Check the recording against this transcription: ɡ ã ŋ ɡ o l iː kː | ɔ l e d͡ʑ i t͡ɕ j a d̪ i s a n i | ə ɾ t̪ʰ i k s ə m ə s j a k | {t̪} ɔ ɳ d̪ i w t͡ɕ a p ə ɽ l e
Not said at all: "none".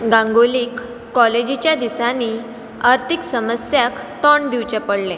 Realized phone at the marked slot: t̪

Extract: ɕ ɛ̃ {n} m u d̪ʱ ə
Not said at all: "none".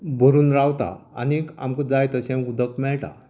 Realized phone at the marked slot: none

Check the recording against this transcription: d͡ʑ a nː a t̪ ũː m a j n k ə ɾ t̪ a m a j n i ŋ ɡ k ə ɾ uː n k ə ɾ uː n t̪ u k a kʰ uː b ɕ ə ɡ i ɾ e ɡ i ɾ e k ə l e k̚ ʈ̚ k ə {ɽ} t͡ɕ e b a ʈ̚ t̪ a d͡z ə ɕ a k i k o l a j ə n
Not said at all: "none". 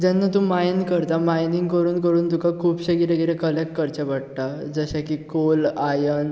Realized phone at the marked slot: ɾ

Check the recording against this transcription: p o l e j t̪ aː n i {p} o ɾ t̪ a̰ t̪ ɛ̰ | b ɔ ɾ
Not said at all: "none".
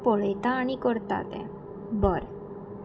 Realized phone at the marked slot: k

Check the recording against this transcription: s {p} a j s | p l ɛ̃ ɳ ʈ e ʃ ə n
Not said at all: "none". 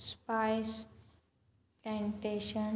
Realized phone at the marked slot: p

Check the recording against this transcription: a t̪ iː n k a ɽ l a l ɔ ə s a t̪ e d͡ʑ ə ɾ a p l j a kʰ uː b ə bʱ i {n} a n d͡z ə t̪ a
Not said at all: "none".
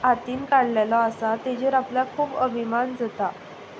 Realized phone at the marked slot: m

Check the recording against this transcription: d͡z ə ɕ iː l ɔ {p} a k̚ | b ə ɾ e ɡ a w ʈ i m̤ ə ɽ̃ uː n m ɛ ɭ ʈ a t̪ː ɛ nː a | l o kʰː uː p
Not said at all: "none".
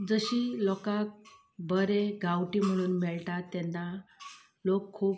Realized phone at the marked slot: k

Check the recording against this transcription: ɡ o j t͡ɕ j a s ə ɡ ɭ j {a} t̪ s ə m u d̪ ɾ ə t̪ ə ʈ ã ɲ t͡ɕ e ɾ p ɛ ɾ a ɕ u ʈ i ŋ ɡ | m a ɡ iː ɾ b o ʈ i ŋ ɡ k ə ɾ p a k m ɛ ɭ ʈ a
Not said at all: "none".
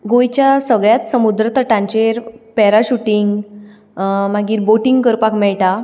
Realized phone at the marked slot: a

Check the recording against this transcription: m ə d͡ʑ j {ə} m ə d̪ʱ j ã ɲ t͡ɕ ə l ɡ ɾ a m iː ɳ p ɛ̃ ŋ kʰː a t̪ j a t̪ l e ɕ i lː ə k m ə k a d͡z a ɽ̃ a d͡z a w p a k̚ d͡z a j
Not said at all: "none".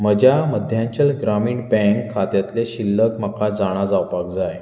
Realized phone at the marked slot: a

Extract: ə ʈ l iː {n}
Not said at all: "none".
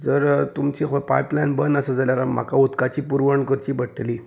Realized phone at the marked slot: none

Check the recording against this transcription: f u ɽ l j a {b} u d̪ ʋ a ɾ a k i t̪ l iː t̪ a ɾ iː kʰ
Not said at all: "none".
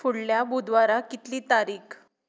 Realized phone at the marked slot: b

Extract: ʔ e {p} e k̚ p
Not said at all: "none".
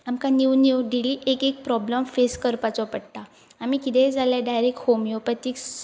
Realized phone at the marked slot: k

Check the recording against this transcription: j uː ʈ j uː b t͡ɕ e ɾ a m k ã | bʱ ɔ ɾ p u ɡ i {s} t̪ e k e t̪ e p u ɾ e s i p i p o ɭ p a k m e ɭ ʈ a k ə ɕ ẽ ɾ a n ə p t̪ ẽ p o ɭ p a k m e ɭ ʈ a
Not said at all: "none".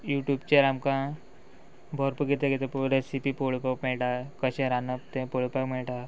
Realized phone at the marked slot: none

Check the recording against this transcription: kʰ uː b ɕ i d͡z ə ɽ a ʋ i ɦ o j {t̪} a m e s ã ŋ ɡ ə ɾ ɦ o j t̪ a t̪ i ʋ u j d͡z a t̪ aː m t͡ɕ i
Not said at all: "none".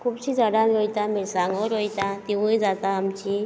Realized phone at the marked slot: t̪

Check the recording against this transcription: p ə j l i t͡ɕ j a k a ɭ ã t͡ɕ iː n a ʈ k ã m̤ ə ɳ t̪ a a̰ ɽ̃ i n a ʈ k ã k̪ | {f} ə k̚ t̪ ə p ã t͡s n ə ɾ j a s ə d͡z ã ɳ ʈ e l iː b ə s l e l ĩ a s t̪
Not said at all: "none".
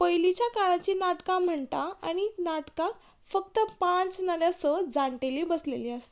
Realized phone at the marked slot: f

